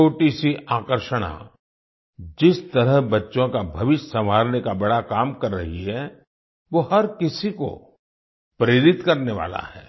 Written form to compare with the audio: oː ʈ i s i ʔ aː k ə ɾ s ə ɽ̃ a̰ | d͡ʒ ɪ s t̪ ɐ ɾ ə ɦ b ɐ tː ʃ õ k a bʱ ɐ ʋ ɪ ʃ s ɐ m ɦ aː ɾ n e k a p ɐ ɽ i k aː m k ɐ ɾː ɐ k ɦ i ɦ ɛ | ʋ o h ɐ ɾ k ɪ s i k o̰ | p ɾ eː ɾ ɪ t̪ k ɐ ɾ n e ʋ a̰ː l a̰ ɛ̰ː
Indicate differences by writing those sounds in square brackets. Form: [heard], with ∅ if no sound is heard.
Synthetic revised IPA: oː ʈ i s i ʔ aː k ə ɾ [ʃ] ə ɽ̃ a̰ | d͡ʒ ɪ s t̪ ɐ ɾ ə ɦ b ɐ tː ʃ õ k a bʱ ɐ ʋ ɪ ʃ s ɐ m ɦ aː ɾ n e k a [b] ɐ ɽ [a] k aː m k ɐ ɾː ɐ [∅] ɦ i ɦ ɛ | ʋ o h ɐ ɾ k ɪ s i k o̰ | p ɾ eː ɾ ɪ t̪ k ɐ ɾ n e ʋ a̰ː l a̰ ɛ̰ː